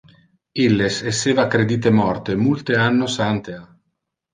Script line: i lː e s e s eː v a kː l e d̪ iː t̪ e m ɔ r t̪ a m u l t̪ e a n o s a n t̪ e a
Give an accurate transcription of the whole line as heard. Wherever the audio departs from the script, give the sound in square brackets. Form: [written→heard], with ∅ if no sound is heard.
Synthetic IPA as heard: i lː e s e s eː v a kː [l→ɾ] e d̪ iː t̪ e m ɔ r t̪ [a→e] m u l t̪ e a [n→nː] o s a n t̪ e a